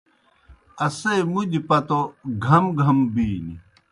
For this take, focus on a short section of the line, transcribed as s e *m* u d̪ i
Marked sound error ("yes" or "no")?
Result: no